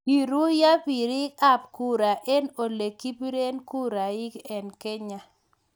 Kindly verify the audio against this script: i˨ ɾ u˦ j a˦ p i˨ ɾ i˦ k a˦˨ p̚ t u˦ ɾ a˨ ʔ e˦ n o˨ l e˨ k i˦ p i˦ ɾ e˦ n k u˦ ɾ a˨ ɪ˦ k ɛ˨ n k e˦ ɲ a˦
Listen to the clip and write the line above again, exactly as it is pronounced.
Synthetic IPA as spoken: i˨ ɾ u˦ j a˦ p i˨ ɾ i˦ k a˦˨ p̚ k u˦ ɾ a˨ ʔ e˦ n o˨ l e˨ k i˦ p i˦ ɾ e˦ n k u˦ ɾ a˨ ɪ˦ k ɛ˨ n k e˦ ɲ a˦